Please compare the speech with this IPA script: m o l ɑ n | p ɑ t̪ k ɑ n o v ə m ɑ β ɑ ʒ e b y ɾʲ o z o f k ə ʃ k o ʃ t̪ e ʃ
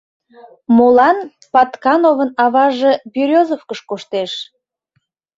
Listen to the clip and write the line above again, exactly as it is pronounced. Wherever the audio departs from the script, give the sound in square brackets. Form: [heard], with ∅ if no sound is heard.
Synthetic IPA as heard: m o l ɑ n | p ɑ t̪ k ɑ n o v ə [n] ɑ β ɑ ʒ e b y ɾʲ o z o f k ə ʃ k o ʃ t̪ e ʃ